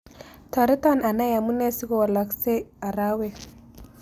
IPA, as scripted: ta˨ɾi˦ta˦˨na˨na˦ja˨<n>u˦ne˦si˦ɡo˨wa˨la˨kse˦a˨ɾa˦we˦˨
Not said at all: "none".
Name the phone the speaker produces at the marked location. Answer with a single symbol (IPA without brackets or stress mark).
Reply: m